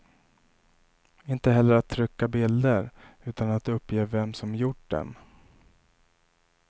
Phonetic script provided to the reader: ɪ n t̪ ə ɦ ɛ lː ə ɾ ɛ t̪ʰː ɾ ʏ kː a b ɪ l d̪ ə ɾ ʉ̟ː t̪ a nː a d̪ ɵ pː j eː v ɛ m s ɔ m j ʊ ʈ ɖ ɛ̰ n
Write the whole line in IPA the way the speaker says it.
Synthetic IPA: ɪ n t̪ ə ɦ ɛ lː ə ɾ a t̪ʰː ɾ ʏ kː a b ɪ l d̪ ə ɾ ʉ̟ː t̪ a n a t̪ ɵ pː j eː v ɛ m s ɔ m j ʊ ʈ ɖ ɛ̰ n